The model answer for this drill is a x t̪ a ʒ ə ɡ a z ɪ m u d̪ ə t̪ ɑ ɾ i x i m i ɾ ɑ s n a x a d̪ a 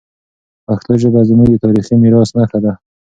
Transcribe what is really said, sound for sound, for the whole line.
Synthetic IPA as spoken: a x t̪ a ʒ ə b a z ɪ m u d̪ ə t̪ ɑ ɾ i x i m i ɾ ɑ s n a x a d̪ a